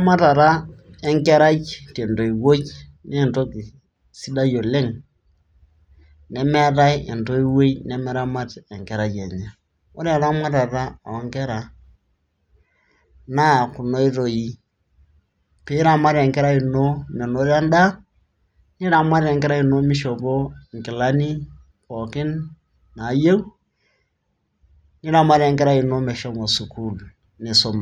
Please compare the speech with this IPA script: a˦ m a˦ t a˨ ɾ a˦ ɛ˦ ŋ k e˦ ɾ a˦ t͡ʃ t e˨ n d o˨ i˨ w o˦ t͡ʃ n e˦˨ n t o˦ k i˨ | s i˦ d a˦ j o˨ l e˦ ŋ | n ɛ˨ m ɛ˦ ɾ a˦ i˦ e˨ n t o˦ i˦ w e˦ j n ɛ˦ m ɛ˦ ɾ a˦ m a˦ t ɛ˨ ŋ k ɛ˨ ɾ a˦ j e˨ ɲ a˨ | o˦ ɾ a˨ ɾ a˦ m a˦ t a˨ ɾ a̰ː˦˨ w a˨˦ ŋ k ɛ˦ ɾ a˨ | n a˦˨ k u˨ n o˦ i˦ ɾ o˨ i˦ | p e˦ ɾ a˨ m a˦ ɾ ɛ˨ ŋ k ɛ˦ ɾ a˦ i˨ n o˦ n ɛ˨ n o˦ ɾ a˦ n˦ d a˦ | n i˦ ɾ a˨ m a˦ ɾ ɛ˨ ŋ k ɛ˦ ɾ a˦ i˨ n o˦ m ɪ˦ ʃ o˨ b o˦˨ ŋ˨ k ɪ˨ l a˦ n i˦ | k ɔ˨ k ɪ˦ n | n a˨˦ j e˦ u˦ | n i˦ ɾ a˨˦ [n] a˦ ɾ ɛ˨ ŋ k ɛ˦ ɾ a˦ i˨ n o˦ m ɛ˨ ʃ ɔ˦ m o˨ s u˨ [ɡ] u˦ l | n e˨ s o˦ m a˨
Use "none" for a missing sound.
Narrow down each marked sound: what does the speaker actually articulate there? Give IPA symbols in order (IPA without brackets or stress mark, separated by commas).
m, k